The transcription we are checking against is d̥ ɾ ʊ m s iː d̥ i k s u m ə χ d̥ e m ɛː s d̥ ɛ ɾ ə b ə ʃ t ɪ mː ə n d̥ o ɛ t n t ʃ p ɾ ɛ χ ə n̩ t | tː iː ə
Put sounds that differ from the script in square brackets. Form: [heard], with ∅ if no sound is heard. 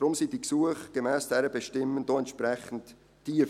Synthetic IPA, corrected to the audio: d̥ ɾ ʊ m s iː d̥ i k s u [∅] ə χ [ɡ̥] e m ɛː s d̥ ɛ ɾ ə b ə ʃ t ɪ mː ə n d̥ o ɛ [∅] n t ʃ p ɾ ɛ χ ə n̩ t | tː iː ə